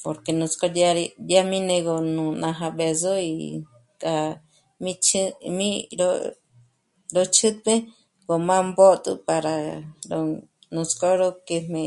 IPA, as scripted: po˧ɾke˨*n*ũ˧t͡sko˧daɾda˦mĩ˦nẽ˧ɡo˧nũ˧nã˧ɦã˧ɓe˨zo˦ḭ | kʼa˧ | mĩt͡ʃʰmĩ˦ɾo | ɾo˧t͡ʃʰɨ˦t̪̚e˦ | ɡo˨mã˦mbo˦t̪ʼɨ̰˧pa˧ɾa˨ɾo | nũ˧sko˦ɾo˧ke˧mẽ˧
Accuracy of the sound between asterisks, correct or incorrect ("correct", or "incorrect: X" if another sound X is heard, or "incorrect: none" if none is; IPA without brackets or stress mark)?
correct